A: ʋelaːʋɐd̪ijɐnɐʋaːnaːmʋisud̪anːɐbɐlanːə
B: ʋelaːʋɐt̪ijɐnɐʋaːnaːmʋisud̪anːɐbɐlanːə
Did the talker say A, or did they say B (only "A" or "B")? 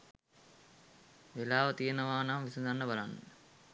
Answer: B